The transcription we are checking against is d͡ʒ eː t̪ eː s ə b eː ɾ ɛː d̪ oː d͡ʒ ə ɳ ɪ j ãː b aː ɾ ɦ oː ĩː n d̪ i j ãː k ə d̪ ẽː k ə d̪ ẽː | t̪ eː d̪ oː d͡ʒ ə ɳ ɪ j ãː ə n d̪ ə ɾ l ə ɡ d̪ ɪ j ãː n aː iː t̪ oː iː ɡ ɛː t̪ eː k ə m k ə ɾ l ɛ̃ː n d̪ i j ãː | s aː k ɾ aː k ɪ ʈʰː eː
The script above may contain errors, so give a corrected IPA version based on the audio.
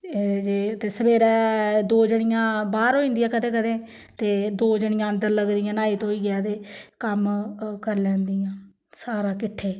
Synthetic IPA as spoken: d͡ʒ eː t̪ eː s ə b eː ɾ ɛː d̪ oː d͡ʒ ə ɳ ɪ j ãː b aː ɾ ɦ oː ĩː n d̪ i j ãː k ə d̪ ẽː k ə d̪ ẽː | t̪ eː d̪ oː d͡ʒ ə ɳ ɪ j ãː ə n d̪ ə ɾ l ə ɡ d̪ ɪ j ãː n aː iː t̪ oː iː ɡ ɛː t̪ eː k ə m k ə ɾ l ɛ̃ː n d̪ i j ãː | s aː ɾ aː k ɪ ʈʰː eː